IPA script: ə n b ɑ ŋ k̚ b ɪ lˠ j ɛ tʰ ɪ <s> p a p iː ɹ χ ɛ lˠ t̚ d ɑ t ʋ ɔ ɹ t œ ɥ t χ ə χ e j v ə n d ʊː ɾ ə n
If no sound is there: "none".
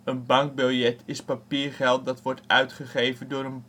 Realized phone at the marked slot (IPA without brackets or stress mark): s